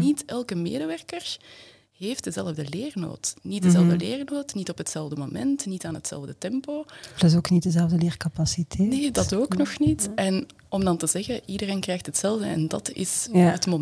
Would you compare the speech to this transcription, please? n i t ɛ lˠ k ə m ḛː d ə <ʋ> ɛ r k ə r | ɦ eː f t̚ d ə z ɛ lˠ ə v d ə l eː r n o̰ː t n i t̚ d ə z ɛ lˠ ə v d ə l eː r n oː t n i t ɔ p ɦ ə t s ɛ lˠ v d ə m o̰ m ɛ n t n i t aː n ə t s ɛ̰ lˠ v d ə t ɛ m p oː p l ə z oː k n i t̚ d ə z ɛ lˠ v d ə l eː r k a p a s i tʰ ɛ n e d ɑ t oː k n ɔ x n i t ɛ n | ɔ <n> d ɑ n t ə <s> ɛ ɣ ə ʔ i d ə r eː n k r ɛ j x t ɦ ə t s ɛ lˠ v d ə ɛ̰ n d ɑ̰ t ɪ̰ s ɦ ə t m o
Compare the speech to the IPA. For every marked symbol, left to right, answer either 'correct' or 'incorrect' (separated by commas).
correct, incorrect, incorrect